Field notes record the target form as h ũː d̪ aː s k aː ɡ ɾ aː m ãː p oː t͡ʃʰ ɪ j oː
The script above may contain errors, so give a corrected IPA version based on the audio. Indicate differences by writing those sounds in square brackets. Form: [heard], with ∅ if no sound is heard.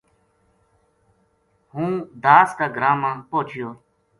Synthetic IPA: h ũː d̪ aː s k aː ɡ ɾ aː m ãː p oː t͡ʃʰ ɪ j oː